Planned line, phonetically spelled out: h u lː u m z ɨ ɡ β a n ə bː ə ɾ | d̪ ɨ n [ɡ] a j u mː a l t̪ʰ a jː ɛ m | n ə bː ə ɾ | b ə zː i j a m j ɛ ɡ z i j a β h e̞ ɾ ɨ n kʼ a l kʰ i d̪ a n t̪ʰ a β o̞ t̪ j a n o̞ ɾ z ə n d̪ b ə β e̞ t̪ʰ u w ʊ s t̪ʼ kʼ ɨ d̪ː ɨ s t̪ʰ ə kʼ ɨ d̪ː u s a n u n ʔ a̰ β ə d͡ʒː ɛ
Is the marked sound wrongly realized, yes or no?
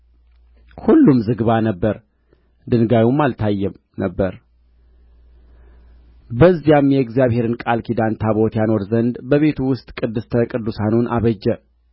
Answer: no